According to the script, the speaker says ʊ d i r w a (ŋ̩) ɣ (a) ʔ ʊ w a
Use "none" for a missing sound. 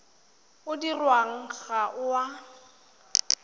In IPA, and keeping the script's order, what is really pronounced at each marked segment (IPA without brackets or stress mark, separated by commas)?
ŋ̩, a